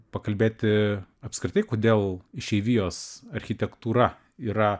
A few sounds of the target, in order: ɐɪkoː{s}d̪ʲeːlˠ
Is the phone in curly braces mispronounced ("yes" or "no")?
yes